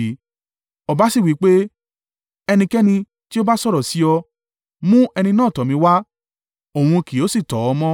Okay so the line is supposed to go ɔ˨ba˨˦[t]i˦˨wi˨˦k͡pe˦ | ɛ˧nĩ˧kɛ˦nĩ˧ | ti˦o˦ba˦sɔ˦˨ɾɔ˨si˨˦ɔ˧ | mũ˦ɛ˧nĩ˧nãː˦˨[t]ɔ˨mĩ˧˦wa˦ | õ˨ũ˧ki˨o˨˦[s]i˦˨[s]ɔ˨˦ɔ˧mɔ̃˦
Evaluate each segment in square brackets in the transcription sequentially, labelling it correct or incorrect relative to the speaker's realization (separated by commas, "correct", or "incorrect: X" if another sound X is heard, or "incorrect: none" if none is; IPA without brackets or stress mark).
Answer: incorrect: s, correct, correct, incorrect: t